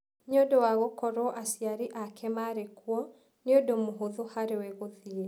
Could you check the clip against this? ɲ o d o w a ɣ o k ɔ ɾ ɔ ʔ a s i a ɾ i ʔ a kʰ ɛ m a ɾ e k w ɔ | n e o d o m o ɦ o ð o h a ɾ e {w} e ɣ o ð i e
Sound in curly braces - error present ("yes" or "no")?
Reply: no